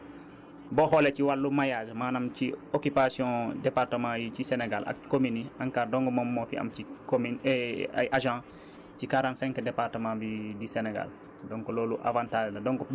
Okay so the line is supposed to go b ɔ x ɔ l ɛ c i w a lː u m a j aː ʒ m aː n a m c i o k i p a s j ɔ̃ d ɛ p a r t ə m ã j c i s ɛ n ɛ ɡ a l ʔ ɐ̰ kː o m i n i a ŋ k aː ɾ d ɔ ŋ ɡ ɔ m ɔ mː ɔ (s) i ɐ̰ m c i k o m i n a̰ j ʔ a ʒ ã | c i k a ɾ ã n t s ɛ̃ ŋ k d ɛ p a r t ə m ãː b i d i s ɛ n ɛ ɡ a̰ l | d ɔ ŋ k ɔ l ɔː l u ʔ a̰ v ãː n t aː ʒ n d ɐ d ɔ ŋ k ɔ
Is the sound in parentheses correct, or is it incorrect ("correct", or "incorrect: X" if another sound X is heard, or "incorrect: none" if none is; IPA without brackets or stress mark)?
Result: incorrect: f